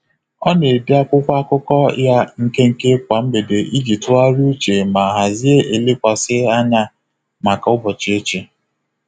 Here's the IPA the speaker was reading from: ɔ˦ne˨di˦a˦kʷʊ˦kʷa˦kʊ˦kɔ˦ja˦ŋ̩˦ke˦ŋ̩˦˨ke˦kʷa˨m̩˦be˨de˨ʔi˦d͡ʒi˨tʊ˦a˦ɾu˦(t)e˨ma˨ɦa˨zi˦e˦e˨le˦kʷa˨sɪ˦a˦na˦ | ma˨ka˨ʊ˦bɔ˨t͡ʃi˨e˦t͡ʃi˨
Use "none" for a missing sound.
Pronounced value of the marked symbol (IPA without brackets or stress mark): t͡ʃ